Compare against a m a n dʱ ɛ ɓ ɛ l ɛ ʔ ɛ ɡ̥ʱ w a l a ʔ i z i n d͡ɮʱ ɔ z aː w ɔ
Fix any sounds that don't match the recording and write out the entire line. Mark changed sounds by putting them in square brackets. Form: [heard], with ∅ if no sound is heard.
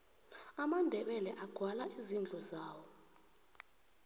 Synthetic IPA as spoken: a m a n dʱ ɛ ɓ ɛ l ɛ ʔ [a] ɡ̥ʱ w a l a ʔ i z i n d͡ɮʱ ɔ z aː w ɔ